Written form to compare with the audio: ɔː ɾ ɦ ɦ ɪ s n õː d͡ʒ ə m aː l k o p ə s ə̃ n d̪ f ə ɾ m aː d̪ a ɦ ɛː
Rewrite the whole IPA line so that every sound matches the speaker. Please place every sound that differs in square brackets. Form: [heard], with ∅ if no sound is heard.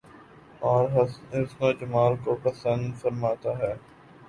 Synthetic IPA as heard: ɔː ɾ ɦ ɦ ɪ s n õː d͡ʒ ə m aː l k o p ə s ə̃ n d̪ f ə ɾ m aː [t̪] a ɦ ɛː